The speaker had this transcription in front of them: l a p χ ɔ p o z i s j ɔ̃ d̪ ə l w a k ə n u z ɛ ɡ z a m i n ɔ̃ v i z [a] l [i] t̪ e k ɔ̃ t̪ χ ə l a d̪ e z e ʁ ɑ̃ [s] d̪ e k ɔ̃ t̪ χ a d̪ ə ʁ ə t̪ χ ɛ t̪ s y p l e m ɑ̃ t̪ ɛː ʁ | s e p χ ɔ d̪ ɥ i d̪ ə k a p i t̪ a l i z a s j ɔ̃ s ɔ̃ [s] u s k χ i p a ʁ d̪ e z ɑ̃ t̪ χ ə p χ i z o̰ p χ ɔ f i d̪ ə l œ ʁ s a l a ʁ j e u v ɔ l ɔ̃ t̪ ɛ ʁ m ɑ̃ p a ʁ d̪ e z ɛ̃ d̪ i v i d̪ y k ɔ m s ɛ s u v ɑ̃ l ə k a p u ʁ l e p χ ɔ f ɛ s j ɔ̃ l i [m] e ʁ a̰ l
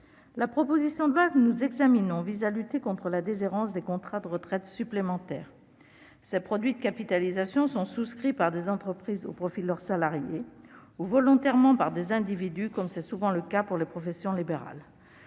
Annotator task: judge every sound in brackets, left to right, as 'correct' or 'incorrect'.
correct, incorrect, correct, correct, incorrect

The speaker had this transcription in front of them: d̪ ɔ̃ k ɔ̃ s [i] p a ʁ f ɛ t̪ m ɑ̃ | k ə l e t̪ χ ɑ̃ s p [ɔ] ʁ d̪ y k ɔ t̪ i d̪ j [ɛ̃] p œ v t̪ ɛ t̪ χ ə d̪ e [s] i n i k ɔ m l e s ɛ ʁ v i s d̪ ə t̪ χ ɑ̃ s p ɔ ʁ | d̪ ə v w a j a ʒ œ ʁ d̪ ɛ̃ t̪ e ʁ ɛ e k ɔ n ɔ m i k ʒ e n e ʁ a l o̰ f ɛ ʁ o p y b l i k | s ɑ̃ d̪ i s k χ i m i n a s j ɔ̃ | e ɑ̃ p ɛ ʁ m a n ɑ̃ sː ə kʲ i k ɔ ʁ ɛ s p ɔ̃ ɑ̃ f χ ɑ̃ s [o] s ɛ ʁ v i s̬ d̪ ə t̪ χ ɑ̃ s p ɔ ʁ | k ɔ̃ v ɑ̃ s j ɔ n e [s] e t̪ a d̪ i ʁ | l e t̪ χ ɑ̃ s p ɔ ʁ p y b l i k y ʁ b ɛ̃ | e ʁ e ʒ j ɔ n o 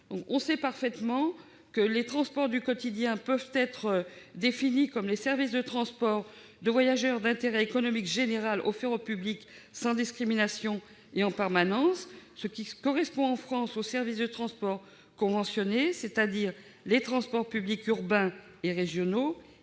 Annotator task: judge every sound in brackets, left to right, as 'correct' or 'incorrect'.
incorrect, correct, correct, incorrect, correct, correct

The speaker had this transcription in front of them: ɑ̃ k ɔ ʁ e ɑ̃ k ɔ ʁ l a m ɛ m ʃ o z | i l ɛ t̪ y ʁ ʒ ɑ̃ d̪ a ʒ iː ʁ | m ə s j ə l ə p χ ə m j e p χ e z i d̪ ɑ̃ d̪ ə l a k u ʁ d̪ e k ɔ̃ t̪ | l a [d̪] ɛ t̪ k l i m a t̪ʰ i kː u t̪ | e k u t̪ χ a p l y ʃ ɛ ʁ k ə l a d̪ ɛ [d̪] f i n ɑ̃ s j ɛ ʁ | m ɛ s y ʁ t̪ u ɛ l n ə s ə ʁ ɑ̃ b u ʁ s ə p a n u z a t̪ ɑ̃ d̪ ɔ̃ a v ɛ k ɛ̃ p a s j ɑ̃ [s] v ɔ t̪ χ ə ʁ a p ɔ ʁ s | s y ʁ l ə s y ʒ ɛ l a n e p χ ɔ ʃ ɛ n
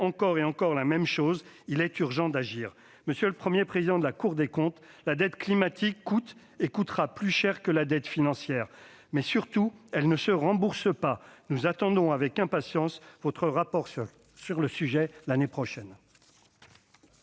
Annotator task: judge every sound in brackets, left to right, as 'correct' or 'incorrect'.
correct, incorrect, correct

